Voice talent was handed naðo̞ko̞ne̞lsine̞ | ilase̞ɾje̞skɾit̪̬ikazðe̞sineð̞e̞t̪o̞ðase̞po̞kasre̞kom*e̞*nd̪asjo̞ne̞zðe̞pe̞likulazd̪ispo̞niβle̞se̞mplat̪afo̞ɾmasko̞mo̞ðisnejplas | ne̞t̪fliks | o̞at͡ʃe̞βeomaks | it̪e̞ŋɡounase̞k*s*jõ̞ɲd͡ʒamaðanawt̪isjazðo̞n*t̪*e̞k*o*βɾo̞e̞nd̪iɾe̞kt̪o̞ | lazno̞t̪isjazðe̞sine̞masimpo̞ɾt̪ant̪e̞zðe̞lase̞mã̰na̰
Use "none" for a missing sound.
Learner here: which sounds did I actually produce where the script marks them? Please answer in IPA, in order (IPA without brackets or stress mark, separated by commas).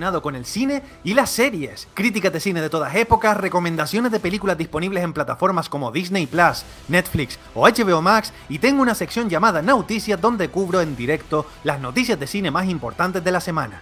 ẽ̞, s, d̪, u